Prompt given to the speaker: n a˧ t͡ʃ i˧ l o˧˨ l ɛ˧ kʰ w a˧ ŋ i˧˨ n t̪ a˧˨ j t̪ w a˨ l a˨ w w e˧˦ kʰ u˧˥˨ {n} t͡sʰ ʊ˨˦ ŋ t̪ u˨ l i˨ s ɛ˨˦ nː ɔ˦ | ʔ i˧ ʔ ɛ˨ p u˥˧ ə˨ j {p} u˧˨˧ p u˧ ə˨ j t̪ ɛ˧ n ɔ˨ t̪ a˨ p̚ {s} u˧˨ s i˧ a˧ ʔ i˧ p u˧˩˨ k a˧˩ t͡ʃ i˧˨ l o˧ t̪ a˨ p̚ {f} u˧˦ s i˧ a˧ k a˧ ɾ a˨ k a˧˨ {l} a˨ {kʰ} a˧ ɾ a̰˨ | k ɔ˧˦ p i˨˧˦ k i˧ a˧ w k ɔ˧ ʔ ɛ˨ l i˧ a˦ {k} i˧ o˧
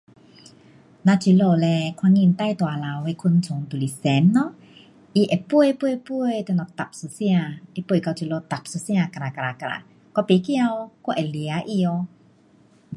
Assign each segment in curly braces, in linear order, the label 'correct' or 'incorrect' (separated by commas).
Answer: correct, correct, correct, incorrect, incorrect, incorrect, incorrect